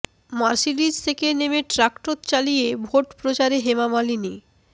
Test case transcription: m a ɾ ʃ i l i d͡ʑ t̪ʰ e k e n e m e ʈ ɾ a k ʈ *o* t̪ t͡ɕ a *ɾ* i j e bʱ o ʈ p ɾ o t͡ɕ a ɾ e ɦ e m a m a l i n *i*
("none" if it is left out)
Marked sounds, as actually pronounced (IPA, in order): o, l, i

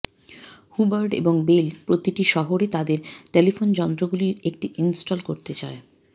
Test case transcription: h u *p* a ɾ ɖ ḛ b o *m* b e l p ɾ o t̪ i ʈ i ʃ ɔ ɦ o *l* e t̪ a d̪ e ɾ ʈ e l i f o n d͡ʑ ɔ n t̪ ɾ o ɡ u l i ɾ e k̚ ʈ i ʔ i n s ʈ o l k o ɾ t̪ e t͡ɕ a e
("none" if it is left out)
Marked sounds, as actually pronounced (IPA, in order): b, ŋ, ɾ

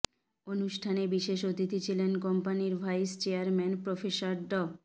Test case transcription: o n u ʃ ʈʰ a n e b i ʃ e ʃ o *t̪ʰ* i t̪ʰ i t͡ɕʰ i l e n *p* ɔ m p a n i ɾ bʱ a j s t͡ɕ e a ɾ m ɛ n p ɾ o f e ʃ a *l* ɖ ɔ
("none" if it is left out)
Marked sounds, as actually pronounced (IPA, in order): t̪, k, ɾ

